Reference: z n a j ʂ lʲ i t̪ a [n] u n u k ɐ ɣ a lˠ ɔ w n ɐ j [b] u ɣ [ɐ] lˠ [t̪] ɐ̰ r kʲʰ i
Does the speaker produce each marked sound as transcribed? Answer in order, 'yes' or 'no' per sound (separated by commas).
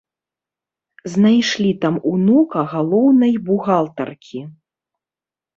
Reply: no, yes, no, yes